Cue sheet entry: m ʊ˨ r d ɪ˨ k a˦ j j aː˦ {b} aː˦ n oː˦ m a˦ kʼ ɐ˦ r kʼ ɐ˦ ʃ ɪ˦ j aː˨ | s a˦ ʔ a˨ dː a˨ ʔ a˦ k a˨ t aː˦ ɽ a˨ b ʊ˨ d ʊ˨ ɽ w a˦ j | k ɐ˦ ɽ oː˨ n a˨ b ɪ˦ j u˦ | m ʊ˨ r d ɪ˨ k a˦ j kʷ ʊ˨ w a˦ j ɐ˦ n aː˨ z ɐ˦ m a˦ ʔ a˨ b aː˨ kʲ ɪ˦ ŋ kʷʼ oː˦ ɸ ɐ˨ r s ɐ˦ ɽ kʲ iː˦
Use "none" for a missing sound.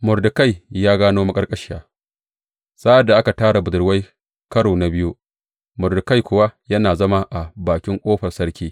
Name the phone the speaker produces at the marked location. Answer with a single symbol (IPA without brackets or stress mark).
ɡ